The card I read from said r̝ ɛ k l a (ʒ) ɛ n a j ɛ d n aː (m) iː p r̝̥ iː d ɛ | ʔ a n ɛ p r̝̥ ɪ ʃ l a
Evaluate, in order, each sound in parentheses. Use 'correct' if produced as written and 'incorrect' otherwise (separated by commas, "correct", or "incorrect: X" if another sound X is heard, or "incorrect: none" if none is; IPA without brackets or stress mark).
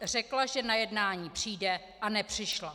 correct, incorrect: ɲ